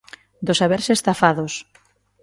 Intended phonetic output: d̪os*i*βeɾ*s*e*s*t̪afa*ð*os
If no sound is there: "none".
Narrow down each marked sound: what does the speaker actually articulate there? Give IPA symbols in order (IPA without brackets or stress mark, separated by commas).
a, s, s, ð